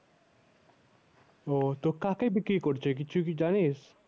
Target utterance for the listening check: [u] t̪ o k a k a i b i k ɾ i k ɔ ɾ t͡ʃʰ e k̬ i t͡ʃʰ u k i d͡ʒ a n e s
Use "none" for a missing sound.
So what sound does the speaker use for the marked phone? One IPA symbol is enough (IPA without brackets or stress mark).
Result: o